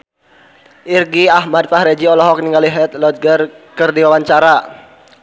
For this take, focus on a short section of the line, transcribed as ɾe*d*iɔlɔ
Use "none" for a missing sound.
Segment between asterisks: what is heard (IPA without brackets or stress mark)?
d͡ʒ